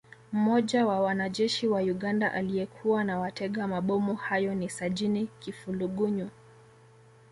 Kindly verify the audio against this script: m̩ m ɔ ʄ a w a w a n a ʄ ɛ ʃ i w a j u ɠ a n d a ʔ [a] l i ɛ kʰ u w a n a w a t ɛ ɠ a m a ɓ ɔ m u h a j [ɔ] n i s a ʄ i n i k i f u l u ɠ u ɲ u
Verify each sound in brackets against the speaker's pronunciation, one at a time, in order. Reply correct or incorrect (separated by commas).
correct, correct